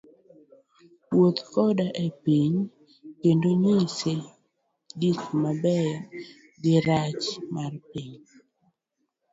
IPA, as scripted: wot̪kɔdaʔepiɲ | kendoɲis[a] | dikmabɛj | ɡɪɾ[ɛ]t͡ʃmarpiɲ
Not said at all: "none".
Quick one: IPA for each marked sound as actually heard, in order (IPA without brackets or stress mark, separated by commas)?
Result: e, a